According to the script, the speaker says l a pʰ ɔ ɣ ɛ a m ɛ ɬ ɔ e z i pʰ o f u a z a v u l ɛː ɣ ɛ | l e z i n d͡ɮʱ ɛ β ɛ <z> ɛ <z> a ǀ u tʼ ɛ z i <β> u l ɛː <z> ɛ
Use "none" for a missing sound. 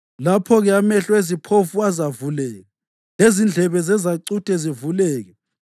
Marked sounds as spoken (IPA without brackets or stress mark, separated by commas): z, z, v, ɣ